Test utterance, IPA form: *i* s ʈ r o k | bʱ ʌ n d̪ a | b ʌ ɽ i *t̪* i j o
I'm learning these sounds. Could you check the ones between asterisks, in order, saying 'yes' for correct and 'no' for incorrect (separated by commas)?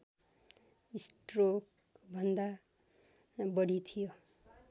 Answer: yes, no